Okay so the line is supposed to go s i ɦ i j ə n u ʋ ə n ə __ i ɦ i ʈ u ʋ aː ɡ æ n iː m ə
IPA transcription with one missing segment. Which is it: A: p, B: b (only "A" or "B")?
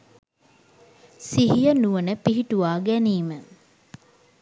A